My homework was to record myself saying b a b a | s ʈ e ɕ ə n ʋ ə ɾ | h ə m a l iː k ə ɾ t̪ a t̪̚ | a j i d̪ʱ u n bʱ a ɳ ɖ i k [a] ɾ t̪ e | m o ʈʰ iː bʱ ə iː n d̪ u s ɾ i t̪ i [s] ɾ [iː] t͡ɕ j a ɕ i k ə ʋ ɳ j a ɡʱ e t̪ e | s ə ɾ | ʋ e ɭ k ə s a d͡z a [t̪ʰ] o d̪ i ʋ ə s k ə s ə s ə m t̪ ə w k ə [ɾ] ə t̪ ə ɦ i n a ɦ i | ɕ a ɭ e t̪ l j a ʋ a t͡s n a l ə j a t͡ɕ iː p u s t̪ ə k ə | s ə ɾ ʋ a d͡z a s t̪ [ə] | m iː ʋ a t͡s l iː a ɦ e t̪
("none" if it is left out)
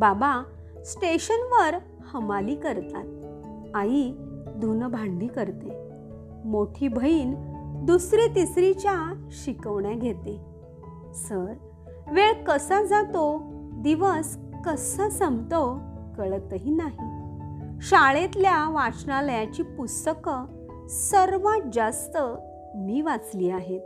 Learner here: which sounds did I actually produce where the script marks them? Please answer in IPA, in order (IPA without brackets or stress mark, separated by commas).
ə, s, i, t̪, ɭ, ə